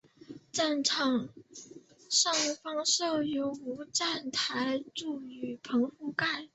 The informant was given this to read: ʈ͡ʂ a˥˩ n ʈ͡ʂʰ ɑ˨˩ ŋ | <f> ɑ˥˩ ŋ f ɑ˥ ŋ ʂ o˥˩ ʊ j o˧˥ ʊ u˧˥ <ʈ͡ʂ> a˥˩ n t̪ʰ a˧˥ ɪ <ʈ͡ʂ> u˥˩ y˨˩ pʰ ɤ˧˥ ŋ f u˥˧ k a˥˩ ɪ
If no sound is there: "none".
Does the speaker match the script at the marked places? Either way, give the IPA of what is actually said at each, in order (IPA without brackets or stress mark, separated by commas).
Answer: ʂ, ʈ͡ʂ, ʈ͡ʂ